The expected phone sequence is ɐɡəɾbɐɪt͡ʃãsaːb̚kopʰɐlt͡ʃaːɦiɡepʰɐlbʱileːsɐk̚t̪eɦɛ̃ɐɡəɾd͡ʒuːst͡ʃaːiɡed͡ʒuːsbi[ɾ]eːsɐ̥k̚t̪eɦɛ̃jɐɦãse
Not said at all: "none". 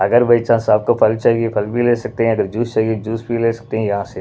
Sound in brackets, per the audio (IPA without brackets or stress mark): l